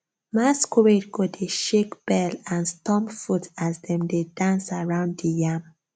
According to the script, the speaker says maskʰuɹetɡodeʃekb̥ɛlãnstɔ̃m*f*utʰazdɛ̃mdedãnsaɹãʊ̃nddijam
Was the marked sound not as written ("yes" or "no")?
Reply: no